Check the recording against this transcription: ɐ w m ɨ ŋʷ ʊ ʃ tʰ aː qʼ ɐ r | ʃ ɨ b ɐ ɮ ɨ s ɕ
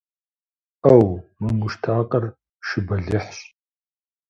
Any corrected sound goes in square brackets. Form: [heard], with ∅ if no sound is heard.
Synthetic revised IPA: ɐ w m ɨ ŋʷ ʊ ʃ tʰ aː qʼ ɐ r | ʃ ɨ b ɐ ɮ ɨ [ħ] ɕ